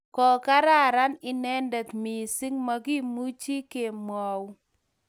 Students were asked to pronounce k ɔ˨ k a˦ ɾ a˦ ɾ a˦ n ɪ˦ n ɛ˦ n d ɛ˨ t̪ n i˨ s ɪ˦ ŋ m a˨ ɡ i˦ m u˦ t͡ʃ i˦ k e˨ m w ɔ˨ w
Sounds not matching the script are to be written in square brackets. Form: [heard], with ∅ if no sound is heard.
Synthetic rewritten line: k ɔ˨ k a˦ ɾ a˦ ɾ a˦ n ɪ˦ n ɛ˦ n d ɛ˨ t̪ [m] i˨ s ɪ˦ ŋ m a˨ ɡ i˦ m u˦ t͡ʃ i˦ k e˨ m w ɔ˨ w